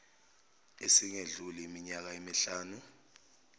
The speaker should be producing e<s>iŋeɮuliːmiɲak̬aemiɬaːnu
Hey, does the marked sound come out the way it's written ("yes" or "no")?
yes